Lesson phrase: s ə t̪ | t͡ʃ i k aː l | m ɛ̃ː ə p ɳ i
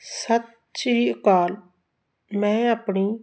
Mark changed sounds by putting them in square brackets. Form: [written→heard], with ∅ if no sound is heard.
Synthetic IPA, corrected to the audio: s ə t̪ | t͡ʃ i k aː l | m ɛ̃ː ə p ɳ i